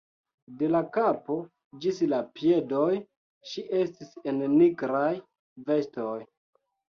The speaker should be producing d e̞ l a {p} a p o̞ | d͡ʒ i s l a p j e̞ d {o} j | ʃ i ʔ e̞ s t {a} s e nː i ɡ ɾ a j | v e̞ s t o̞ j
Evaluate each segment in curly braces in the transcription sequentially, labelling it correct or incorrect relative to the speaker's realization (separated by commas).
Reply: incorrect, correct, incorrect